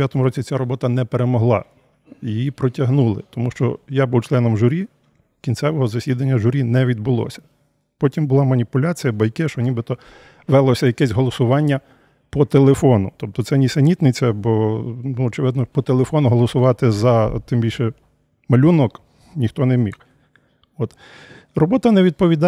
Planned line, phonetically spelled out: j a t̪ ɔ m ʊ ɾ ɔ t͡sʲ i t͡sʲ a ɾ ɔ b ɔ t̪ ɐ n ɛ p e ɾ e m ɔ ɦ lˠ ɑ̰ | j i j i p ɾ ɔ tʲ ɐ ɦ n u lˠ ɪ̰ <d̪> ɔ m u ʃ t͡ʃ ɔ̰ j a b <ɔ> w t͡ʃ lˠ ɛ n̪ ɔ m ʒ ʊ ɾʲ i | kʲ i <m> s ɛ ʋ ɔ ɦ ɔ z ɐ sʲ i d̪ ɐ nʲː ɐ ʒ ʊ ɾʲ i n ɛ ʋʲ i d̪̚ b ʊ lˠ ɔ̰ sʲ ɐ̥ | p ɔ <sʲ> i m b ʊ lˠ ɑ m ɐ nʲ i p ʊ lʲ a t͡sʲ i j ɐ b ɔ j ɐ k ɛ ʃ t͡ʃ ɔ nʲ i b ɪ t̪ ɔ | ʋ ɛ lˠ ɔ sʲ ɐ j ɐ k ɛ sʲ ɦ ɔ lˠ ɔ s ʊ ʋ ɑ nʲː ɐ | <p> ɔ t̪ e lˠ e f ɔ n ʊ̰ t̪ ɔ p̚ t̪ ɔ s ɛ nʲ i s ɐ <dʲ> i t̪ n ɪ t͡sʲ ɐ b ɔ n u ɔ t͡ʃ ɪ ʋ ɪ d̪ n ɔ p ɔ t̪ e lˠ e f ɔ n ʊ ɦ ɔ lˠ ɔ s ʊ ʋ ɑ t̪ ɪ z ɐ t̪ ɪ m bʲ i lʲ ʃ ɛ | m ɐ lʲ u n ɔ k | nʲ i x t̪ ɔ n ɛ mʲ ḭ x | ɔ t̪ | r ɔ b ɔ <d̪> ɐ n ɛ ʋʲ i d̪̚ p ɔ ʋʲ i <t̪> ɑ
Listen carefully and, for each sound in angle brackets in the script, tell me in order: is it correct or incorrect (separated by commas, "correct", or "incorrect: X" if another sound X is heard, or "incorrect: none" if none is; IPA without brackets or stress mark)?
incorrect: t̪, incorrect: u, incorrect: n, incorrect: tʲ, correct, incorrect: nʲ, incorrect: t̪, incorrect: d̪